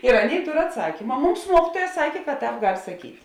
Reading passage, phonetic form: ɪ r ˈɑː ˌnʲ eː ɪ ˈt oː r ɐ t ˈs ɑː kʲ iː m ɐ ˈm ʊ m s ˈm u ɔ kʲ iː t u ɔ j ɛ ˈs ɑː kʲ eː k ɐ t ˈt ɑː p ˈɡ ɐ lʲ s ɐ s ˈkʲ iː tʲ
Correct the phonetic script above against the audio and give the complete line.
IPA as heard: ɪ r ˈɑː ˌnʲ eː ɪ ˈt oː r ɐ t ˈs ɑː kʲ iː m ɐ ˈm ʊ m s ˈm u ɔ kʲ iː t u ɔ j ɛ ˈs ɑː kʲ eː k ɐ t ˈt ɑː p ˈɡ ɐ lʲ s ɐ ˈkʲ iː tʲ